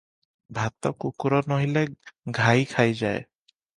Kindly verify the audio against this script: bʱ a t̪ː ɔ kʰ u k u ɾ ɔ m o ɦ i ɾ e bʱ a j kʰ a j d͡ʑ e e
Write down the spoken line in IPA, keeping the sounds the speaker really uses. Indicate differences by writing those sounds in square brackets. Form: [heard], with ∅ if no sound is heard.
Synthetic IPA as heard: bʱ a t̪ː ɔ [k] u k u ɾ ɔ [n] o ɦ i [l] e [ɡʱ] a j kʰ a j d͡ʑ [a] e